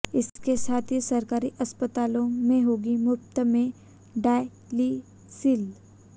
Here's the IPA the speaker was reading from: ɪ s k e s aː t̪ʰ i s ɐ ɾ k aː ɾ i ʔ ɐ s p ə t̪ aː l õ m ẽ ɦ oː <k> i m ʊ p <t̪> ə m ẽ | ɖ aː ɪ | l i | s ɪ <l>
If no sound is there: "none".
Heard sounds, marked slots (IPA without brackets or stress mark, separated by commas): ɡ, t̪, l